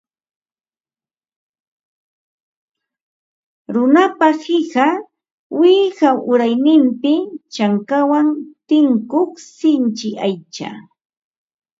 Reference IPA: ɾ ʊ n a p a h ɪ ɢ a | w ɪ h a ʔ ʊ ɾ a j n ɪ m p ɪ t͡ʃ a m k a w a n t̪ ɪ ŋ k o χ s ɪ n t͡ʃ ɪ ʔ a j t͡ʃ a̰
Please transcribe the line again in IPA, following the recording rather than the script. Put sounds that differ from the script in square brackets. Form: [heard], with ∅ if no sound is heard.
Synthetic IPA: ɾ ʊ n a p a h ɪ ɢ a | w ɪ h a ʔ ʊ ɾ a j n ɪ m p ɪ t͡ʃ a [ŋ] k a w a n t̪ ɪ ŋ k o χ s ɪ n t͡ʃ ɪ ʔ a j t͡ʃ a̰